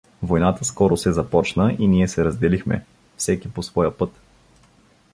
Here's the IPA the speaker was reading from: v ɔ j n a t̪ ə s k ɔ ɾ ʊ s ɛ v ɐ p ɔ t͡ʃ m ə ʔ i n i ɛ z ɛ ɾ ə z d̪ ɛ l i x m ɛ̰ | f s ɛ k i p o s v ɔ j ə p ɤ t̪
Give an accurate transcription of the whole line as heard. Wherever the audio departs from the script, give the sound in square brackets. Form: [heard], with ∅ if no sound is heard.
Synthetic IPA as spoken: v [o] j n a t̪ ə s k ɔ ɾ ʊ s ɛ [z] ɐ p ɔ t͡ʃ [n] ə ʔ i n i ɛ [s] ɛ ɾ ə z d̪ ɛ l i x m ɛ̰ | f s ɛ k i p o s v ɔ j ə p ɤ t̪